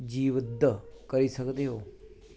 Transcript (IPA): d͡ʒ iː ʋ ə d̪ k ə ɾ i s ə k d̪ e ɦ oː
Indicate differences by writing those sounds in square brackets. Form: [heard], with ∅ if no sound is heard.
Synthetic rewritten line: d͡ʒ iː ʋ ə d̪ k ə ɾ i s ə k d̪ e ɦ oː